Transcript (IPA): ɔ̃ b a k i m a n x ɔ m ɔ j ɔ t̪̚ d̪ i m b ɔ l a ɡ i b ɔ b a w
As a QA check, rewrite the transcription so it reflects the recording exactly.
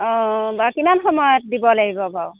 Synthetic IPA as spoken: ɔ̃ b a k i m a n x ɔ m ɔ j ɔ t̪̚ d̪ i b ɔ l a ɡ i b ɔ b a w